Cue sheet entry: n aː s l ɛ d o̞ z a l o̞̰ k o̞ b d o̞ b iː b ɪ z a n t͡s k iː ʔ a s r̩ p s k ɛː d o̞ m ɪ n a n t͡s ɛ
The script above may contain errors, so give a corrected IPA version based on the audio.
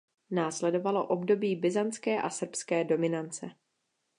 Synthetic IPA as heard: n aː s l ɛ d o̞ v a l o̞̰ ʔ o̞ b d o̞ b iː b ɪ z a n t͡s k ɛː ʔ a s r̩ p s k ɛː d o̞ m ɪ n a n t͡s ɛ

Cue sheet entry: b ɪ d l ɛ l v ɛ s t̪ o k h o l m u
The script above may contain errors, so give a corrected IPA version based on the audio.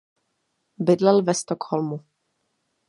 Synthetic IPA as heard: b ɪ d l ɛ l v ɛ s t̪ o k h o l m u

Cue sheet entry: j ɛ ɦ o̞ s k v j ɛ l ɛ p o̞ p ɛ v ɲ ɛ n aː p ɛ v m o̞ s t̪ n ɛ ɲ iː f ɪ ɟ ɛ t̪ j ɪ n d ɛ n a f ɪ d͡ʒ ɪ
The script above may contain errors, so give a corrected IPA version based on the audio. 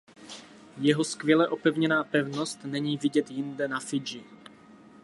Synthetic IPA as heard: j ɛ ɦ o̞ s k v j ɛ l ɛ ʔ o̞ p ɛ v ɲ ɛ n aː p ɛ v n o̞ s t̪ n ɛ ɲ iː v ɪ ɟ ɛ t̪ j ɪ n d ɛ n a f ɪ d͡ʒ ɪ

